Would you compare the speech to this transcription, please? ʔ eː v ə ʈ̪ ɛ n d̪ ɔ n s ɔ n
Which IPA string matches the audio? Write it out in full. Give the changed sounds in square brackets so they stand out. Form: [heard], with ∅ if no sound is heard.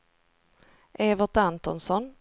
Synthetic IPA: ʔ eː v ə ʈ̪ [a] n [t̪] ɔ n s ɔ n